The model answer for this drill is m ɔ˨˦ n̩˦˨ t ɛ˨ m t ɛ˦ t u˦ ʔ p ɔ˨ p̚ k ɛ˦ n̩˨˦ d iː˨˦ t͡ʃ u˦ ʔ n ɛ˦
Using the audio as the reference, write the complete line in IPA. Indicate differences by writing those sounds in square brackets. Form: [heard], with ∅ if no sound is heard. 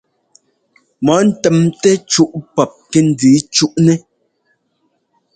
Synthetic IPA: m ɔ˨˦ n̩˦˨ t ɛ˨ m t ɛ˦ [t͡ʃ] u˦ ʔ p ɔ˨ p̚ k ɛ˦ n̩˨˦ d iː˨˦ t͡ʃ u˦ ʔ n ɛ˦